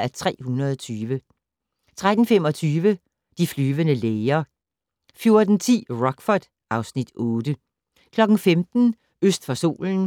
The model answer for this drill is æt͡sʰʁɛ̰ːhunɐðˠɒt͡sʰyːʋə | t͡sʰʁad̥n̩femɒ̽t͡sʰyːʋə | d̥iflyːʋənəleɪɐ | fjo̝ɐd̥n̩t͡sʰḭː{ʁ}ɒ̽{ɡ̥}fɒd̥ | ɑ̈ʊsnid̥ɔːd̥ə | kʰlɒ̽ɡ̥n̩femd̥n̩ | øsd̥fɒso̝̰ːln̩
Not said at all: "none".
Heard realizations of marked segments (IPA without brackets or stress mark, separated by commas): ʁ, ɡ̥